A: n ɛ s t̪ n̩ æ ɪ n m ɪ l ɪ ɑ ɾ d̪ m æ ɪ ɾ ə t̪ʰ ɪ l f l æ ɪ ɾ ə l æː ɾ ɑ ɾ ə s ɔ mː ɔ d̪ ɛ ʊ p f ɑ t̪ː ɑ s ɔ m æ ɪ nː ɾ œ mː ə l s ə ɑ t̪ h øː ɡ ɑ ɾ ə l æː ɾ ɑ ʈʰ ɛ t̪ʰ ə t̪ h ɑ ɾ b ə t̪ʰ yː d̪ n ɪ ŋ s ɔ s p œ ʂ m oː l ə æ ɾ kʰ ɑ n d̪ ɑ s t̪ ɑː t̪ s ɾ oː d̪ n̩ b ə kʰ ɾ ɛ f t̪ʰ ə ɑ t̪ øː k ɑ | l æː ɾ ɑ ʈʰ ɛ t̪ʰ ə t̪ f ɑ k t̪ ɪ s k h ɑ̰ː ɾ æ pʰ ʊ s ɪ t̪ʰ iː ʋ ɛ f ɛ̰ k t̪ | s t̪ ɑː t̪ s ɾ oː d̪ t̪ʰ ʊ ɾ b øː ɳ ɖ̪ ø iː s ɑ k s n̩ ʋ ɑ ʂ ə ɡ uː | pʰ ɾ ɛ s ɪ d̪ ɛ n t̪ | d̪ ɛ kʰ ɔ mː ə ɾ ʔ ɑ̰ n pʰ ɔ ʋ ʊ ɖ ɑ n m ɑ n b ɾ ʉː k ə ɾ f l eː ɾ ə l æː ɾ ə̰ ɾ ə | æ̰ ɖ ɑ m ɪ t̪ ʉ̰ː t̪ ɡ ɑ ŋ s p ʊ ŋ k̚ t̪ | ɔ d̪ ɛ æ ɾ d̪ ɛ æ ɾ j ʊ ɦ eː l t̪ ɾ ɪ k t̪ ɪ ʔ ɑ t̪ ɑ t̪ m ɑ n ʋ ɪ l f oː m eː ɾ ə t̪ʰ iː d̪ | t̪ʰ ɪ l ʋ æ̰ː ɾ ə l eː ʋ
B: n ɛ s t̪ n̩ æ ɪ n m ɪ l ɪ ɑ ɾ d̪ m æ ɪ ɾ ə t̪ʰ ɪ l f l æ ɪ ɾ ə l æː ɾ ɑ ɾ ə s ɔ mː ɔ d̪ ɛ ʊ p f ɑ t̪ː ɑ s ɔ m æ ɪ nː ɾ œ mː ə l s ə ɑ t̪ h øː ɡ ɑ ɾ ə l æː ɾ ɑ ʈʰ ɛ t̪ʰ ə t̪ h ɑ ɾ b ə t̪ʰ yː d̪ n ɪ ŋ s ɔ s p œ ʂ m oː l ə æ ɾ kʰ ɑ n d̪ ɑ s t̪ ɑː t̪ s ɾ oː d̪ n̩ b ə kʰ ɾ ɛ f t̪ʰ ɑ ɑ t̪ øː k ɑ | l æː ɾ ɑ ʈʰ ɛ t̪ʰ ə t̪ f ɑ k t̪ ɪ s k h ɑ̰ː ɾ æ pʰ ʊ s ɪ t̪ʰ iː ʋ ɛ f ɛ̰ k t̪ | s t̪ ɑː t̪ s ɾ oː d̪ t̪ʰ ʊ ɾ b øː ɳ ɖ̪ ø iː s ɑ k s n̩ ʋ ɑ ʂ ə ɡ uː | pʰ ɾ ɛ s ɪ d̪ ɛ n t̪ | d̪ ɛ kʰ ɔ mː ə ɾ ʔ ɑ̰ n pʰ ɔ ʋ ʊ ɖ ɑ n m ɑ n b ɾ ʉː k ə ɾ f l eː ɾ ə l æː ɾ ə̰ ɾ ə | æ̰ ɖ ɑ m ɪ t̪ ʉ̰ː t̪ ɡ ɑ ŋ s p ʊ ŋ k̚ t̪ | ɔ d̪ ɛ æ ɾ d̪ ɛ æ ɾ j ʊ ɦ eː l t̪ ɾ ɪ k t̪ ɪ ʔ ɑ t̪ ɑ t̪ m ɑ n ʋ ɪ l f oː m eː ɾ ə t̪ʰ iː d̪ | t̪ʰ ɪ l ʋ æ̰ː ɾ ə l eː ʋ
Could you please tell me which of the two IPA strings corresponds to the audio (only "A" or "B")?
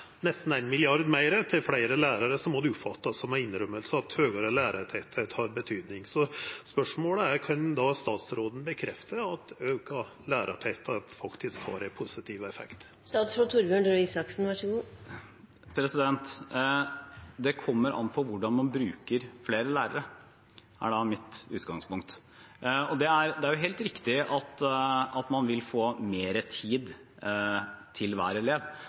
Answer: A